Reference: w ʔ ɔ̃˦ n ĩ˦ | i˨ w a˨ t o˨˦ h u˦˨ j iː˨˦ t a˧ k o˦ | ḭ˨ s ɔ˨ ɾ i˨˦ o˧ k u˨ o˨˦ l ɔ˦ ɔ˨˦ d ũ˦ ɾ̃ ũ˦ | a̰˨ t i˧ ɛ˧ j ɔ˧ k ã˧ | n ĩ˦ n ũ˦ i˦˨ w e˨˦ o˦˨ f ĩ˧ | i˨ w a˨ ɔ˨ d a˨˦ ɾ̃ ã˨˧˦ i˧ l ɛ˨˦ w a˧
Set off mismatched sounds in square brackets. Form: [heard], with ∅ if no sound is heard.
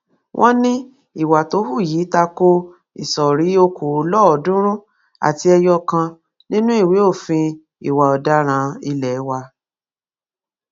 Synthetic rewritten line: w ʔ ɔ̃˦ n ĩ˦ | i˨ w a˨ t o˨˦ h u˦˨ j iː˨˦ t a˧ k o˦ | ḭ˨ s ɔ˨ ɾ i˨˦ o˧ k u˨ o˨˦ l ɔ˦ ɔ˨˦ d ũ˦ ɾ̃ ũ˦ | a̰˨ t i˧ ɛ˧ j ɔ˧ k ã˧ | n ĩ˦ n ũ˦ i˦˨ w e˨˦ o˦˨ f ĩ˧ | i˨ w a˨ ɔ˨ d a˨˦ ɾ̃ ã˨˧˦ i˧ l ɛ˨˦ w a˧